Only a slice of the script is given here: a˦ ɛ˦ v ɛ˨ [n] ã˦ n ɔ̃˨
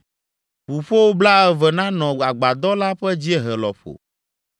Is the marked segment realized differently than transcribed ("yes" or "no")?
no